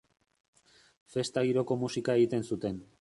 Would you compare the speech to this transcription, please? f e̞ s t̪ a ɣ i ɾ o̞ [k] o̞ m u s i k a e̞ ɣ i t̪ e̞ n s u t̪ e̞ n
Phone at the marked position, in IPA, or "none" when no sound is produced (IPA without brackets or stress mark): k